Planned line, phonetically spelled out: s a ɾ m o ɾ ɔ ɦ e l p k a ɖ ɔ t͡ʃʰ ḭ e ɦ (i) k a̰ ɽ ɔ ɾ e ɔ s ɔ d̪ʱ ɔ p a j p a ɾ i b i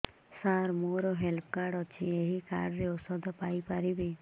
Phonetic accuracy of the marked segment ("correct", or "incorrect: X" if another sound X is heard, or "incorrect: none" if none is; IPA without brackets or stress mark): correct